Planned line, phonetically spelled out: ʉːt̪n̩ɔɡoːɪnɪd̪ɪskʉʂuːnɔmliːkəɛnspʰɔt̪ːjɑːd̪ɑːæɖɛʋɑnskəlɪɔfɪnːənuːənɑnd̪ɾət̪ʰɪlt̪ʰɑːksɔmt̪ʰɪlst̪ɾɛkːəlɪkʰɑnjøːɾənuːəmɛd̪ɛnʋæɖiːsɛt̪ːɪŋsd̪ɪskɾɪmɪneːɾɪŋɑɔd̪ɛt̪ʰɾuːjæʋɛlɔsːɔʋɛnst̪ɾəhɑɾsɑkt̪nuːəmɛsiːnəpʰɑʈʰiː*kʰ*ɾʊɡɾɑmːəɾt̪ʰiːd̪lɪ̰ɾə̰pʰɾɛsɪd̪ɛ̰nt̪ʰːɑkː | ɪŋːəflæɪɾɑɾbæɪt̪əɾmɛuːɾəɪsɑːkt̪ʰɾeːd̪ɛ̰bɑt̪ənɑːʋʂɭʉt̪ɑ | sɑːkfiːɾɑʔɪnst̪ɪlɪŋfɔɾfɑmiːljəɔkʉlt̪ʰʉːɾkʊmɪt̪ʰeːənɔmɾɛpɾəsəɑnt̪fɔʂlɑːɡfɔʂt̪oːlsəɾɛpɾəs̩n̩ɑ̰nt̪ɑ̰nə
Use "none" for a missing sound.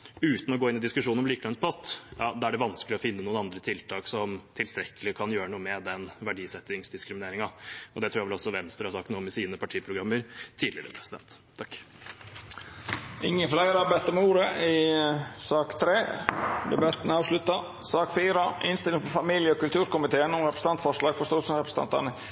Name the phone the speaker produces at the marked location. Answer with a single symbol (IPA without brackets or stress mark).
pʰ